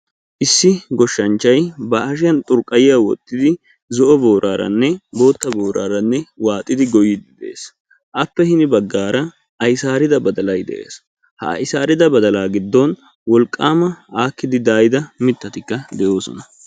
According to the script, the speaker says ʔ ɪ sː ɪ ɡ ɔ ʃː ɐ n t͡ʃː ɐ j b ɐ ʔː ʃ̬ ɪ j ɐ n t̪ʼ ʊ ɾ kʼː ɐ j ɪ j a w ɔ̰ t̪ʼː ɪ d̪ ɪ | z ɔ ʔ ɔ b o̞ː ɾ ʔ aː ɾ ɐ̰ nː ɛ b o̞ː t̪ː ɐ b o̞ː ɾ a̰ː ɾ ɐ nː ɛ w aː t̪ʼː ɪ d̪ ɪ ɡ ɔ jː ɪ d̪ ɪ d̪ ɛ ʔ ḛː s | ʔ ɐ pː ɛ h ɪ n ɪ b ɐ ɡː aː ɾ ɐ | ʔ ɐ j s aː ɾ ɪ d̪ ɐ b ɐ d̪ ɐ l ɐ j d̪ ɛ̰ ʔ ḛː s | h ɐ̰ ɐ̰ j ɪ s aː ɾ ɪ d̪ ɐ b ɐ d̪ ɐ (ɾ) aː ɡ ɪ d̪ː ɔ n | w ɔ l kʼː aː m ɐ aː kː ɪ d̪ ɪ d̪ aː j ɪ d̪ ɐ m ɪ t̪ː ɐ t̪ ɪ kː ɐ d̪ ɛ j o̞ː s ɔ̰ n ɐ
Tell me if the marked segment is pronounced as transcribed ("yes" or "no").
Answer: no